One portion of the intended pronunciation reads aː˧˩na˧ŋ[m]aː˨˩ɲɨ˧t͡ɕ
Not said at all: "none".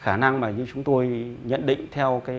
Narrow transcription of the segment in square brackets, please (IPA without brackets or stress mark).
m